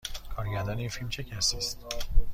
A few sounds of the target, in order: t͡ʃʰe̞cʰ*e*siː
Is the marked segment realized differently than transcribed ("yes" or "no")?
yes